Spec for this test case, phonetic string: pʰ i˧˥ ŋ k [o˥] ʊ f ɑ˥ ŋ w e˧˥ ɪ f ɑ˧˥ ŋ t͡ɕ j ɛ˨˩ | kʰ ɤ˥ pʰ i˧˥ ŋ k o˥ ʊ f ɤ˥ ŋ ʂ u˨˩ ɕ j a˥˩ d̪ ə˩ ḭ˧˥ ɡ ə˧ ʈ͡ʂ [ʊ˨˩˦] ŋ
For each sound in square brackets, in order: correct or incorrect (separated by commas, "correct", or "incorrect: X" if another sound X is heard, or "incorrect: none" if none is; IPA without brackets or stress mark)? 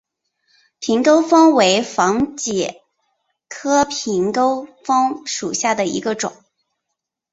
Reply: correct, correct